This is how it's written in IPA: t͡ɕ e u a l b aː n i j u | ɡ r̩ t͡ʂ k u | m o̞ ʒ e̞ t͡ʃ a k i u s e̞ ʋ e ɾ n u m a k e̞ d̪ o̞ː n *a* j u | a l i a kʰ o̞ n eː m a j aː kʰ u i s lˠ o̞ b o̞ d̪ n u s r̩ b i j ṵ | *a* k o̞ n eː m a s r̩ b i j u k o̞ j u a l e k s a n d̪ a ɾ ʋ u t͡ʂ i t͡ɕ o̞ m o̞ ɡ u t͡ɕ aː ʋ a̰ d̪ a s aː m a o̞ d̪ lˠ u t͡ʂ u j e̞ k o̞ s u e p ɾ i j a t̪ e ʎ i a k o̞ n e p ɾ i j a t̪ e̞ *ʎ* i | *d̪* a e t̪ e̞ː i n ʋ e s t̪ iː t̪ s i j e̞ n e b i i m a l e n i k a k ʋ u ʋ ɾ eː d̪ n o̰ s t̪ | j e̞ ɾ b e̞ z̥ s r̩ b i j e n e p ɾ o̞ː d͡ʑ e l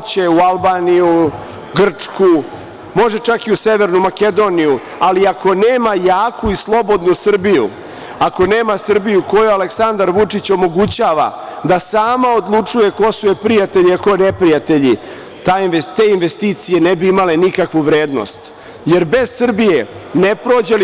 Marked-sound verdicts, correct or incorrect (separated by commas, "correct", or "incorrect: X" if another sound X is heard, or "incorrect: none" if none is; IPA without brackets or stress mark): incorrect: i, correct, correct, incorrect: t̪